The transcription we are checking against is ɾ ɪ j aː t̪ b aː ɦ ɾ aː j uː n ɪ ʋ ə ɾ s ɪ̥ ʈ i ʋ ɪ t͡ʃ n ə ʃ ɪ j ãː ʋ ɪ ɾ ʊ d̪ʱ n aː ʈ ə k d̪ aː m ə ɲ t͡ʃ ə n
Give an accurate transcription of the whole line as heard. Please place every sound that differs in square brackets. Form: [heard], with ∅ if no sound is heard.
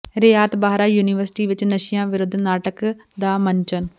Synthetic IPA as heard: ɾ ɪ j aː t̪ b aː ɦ ɾ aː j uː n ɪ ʋ ə ɾ s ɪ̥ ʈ [iː] ʋ ɪ t͡ʃ n ə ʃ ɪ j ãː ʋ ɪ ɾ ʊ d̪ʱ n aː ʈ ə k d̪ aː m ə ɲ t͡ʃ ə n